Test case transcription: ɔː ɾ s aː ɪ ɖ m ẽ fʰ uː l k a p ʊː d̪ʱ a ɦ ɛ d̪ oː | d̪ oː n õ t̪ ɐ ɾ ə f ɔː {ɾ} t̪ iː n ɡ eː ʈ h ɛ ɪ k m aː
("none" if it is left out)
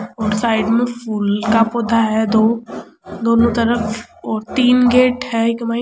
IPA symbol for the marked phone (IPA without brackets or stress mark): ɾ